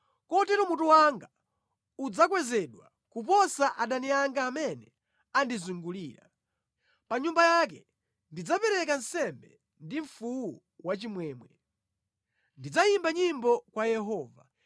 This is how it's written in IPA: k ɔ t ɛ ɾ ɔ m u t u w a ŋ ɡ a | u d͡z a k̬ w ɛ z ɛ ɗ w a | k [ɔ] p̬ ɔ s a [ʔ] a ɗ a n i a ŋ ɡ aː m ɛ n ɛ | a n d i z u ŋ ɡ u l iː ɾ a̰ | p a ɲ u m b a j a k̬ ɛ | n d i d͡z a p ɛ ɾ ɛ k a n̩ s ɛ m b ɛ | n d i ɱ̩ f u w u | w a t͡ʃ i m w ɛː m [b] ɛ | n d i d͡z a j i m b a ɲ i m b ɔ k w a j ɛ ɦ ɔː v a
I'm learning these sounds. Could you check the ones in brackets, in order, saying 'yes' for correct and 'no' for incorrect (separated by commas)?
no, yes, no